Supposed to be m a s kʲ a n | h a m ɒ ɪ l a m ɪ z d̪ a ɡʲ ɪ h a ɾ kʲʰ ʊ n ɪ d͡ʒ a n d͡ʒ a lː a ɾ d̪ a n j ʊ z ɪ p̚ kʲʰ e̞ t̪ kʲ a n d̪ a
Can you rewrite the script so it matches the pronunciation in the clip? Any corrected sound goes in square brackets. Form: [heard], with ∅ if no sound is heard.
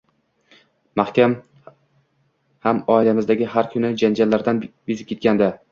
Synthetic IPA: m a [h] kʲ a [m] | h a m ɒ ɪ l a m ɪ z d̪ a ɡʲ ɪ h a ɾ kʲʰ ʊ n ɪ d͡ʒ a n d͡ʒ a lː a ɾ d̪ a n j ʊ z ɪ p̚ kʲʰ e̞ t̪ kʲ a n d̪ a